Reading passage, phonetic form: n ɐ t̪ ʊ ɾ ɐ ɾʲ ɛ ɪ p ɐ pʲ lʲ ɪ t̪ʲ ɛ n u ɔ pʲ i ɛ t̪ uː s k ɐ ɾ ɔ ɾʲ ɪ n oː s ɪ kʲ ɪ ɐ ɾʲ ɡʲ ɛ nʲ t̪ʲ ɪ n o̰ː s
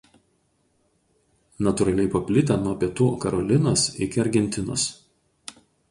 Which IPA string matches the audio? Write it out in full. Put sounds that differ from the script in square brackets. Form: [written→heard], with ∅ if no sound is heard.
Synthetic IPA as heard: n ɐ t̪ ʊ ɾ ɐ [ɾʲ→lʲ] ɛ ɪ p ɐ pʲ lʲ ɪ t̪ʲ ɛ n u ɔ pʲ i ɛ t̪ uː [s→∅] k ɐ ɾ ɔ [ɾʲ→lʲ] ɪ n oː s ɪ kʲ ɪ ɐ ɾʲ ɡʲ ɛ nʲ t̪ʲ ɪ n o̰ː s